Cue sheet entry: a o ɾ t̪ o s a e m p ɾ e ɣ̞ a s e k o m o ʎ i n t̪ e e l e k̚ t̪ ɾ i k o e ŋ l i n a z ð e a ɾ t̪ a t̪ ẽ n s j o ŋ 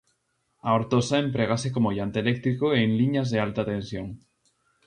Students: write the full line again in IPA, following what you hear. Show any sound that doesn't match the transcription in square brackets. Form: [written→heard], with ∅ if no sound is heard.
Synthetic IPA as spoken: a o ɾ t̪ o s a e m p ɾ e ɣ̞ a s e k o m o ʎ [i→a] n t̪ e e l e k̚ t̪ ɾ i k o e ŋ l i [n→ɲ] a z ð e a [ɾ→l] t̪ a t̪ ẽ n s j o ŋ